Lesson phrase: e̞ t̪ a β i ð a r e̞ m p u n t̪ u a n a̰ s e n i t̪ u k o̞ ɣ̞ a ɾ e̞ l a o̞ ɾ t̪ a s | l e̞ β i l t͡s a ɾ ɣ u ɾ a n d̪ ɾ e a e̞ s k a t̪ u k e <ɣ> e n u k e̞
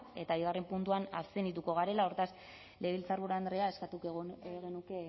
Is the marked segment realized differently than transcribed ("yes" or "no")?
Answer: no